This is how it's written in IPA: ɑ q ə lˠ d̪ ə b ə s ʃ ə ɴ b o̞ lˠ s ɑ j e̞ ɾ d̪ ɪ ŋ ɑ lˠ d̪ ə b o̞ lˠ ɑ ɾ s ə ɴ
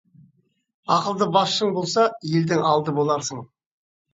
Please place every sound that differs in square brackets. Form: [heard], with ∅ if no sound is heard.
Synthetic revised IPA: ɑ q ə lˠ d̪ ə b [ɑ] s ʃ ə ɴ b o̞ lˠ s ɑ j e̞ [l] d̪ ɪ ŋ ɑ lˠ d̪ ə b o̞ lˠ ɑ ɾ s ə ɴ